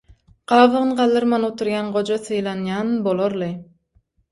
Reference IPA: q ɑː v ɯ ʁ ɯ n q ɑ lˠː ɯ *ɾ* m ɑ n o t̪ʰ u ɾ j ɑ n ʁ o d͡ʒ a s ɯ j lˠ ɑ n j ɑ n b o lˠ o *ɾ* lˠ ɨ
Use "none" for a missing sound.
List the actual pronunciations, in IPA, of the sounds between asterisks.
ɾ, ɾ

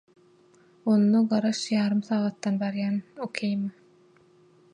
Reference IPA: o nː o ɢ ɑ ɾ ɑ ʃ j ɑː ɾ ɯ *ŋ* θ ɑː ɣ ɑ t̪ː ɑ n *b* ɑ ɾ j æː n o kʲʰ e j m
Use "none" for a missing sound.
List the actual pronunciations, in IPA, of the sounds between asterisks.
m, b

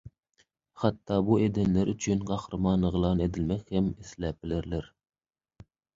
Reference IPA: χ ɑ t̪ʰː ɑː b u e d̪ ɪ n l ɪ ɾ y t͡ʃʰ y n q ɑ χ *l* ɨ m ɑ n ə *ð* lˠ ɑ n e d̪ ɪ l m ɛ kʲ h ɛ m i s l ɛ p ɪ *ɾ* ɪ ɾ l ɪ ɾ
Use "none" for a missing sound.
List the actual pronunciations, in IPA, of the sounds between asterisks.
ɾ, ʁ, l

